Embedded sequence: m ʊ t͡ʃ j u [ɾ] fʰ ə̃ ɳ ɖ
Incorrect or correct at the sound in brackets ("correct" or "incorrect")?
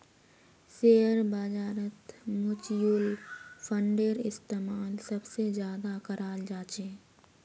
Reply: incorrect